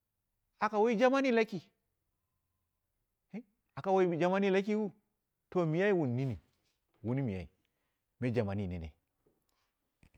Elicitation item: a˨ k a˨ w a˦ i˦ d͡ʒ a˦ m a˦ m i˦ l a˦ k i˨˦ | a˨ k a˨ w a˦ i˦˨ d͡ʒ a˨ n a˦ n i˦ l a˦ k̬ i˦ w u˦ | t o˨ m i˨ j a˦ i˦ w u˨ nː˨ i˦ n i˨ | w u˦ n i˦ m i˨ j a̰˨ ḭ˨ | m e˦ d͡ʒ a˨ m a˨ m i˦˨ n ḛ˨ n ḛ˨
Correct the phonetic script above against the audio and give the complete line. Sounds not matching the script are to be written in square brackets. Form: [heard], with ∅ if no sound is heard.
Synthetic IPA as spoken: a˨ k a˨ w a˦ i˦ d͡ʒ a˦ m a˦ [n] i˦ l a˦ k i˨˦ | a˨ k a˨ w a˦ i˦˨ d͡ʒ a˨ [m] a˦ n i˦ l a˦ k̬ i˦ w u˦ | t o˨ m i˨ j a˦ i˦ w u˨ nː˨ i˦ n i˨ | w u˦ n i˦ m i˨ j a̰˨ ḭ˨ | m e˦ d͡ʒ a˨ m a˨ [n] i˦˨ n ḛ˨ n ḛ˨